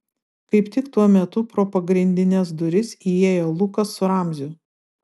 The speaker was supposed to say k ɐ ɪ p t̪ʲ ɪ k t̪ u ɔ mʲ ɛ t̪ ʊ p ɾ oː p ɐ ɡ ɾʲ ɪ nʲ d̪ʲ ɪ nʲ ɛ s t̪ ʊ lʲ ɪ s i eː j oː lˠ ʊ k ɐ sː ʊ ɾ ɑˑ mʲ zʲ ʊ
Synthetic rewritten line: k ɐ ɪ p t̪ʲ ɪ k t̪ u ɔ mʲ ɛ t̪ ʊ p ɾ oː p ɐ ɡ ɾʲ ɪ nʲ d̪ʲ ɪ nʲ ɛ s d̪ ʊ ɾʲ ɪ s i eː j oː lˠ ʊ k ɐ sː ʊ ɾ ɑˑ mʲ zʲ ʊ